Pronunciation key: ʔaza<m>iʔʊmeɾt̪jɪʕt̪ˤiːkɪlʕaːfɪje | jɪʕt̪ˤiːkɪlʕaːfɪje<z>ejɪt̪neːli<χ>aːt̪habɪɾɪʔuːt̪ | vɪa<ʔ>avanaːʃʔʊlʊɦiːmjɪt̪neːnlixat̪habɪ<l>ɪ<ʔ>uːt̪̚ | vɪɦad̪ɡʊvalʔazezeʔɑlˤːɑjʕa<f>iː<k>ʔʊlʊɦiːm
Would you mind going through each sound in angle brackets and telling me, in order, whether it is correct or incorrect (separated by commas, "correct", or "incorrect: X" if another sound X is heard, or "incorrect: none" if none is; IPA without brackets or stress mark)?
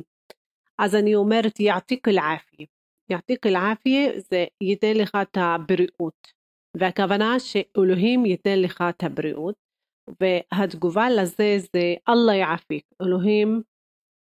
incorrect: n, correct, incorrect: x, incorrect: k, incorrect: ɾ, correct, correct, correct